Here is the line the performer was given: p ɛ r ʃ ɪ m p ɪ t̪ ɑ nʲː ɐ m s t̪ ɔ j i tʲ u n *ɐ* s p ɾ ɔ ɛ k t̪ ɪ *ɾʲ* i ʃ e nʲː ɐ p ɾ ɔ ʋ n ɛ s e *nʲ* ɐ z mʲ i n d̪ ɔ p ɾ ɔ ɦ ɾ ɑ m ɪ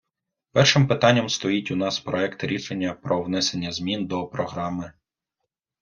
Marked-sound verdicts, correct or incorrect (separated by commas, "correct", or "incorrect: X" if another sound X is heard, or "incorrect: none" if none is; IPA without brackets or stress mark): incorrect: ɑ, correct, incorrect: nʲː